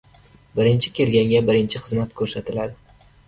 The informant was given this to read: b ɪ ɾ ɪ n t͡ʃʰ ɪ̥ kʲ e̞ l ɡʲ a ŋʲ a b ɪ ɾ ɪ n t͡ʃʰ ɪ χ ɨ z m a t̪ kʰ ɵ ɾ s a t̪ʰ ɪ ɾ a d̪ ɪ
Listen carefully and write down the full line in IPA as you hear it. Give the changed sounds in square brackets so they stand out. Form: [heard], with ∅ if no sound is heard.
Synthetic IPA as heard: b ɪ ɾ ɪ n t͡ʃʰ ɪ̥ kʲ e̞ l ɡʲ a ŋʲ a b ɪ ɾ ɪ n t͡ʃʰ ɪ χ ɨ z m a t̪ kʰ ɵ ɾ s a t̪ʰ ɪ [l] a d̪ ɪ